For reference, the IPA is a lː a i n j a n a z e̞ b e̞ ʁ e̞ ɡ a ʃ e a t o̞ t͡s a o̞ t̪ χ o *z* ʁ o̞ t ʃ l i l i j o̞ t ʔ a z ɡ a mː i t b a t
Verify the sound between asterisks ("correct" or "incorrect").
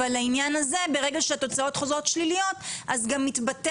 correct